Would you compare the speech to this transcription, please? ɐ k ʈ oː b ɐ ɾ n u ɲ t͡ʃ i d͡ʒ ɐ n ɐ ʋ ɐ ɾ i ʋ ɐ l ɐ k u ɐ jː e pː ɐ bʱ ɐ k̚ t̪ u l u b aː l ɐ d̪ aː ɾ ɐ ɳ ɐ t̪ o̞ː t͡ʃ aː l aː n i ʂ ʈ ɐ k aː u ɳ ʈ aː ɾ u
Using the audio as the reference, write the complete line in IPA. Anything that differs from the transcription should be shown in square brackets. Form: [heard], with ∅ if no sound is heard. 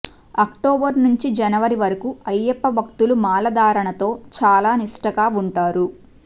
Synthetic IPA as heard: ɐ k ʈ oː b ɐ ɾ n u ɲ t͡ʃ i d͡ʒ ɐ n ɐ ʋ ɐ ɾ i ʋ ɐ [ɾ] ɐ k u ɐ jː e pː ɐ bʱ ɐ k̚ t̪ u l u [m] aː l ɐ d̪ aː ɾ ɐ ɳ ɐ t̪ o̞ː t͡ʃ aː l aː n i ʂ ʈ ɐ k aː u ɳ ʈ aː ɾ u